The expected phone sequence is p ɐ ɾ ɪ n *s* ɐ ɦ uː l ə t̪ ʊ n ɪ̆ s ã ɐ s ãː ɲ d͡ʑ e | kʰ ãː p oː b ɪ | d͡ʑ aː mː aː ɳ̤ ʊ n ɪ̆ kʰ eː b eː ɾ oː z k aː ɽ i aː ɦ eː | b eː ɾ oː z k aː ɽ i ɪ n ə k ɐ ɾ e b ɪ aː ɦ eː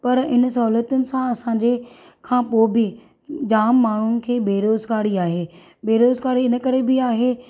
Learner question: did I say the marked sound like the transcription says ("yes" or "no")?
yes